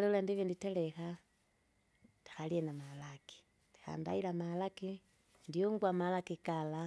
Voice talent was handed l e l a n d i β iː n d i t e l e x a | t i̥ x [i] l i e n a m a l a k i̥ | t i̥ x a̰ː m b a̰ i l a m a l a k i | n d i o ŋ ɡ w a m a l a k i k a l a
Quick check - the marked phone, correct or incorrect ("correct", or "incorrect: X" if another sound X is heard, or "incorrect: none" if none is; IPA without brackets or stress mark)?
incorrect: a